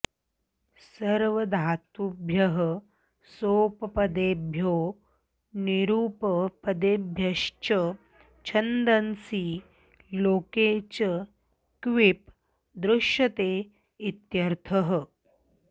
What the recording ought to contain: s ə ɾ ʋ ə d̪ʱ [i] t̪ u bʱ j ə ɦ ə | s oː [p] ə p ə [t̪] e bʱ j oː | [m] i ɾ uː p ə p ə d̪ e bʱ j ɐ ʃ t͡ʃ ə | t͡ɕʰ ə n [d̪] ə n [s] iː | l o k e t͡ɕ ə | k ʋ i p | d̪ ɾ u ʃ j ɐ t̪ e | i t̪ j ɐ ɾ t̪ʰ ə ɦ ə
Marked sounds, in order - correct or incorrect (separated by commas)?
incorrect, correct, incorrect, incorrect, correct, correct